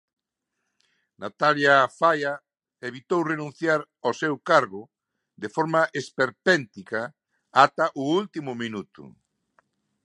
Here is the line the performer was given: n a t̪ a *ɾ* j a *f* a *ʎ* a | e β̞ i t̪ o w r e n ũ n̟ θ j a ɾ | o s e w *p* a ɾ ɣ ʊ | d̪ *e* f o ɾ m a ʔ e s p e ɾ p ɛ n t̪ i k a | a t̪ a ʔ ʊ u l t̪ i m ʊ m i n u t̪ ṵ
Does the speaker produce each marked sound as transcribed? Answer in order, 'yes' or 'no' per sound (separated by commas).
no, yes, no, no, yes